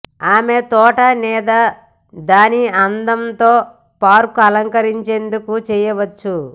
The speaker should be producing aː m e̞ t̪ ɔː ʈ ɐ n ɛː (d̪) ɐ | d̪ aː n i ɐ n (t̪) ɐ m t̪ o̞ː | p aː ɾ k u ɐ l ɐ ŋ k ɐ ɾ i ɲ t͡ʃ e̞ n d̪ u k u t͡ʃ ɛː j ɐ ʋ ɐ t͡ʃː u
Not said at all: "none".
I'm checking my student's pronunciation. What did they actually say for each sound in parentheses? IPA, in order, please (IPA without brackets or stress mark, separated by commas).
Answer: d̪, d̪